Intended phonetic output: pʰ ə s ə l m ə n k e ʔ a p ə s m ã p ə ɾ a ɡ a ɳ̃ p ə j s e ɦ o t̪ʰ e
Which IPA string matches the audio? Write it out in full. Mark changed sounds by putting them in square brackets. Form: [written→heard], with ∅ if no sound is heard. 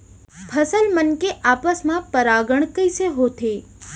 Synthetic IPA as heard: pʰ ə s ə l m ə n k e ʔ a p ə s m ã p ə ɾ a ɡ [a→ə] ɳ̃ [p→k] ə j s e ɦ o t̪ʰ e